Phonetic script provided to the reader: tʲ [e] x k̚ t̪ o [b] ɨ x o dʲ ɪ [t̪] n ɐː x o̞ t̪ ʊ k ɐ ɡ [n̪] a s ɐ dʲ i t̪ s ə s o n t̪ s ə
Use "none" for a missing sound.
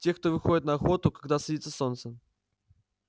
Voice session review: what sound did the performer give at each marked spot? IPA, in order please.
e, v, t̪, d̪

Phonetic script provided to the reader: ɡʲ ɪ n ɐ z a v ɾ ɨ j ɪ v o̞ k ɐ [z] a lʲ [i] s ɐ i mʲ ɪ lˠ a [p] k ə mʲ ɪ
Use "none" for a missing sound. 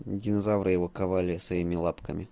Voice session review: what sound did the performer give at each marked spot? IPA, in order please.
v, ɪ, p

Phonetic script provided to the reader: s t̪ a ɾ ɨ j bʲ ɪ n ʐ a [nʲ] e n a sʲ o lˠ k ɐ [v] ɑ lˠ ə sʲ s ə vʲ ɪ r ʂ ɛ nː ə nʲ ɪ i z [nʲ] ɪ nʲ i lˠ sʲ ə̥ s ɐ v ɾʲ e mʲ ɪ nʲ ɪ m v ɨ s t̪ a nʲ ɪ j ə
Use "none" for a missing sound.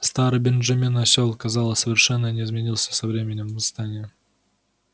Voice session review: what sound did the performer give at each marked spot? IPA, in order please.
mʲ, z, mʲ

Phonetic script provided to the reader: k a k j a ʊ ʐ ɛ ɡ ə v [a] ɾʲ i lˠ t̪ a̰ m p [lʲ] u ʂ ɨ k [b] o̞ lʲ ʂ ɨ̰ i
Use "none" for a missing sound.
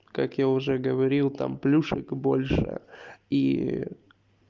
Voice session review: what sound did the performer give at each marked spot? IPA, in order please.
ɐ, lʲ, b

